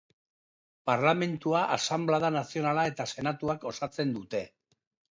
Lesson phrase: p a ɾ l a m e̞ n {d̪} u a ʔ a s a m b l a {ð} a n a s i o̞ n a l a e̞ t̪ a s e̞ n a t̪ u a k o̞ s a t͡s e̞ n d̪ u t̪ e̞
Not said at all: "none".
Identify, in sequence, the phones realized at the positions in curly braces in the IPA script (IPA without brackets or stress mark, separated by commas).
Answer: t̪, ð